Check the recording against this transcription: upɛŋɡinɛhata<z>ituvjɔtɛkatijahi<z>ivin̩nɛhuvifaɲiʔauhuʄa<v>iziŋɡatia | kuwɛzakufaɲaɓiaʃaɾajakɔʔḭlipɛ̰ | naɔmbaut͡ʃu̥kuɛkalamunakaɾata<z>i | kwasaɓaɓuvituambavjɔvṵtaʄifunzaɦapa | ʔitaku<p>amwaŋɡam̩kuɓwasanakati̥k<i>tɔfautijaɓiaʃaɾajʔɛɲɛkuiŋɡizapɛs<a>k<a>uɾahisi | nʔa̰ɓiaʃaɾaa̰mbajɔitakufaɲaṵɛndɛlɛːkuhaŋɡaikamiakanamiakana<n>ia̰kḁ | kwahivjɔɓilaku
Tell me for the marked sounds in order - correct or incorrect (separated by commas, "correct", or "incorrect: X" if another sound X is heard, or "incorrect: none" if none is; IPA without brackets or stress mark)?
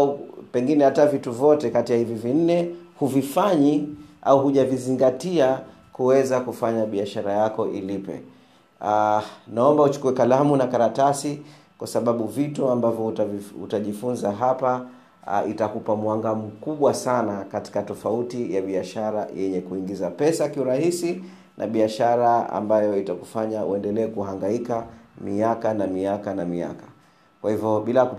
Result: incorrect: v, incorrect: v, correct, incorrect: s, correct, incorrect: a, correct, incorrect: i, incorrect: m